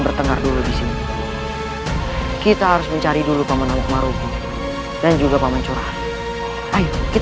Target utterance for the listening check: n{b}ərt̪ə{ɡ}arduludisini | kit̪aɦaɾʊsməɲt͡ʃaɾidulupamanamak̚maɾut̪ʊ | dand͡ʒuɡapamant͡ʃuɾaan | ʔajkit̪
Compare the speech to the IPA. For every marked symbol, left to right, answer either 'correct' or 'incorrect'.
correct, incorrect

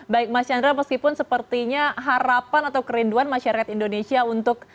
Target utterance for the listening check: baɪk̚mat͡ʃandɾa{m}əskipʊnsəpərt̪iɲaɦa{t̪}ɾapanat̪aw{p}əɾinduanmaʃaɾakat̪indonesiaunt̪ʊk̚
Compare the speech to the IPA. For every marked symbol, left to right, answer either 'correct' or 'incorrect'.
correct, incorrect, incorrect

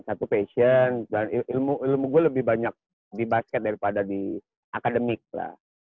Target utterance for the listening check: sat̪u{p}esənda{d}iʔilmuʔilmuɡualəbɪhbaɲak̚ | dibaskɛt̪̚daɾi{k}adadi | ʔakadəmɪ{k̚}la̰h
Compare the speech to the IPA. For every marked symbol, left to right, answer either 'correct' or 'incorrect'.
correct, incorrect, incorrect, correct

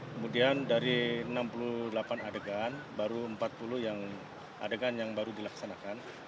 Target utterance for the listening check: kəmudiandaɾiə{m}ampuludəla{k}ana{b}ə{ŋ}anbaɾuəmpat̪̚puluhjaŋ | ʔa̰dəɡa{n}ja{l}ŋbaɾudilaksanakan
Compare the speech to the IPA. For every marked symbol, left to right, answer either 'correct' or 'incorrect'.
incorrect, incorrect, incorrect, incorrect, correct, incorrect

